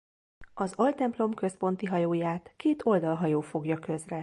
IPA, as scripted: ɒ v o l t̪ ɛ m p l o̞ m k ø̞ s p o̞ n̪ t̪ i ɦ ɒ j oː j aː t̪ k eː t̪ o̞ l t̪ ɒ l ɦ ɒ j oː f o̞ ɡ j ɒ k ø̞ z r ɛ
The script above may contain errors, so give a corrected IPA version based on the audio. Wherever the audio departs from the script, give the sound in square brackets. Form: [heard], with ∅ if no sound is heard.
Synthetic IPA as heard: ɒ [z] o l t̪ ɛ m p l o̞ m k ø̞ s p o̞ n̪ t̪ i ɦ ɒ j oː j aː t̪ k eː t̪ o̞ l [d̪] ɒ l ɦ ɒ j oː f o̞ ɡ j ɒ k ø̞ z r ɛ